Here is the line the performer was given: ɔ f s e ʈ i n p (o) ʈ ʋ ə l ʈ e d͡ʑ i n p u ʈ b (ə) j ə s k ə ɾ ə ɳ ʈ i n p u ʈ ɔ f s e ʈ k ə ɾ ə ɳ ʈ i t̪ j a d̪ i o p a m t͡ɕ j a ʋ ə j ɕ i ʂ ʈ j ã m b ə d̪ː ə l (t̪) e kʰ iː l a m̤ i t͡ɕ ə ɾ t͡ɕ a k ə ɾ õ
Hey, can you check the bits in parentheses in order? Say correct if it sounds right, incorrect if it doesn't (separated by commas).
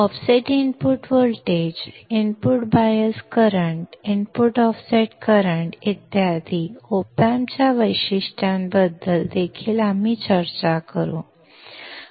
incorrect, incorrect, incorrect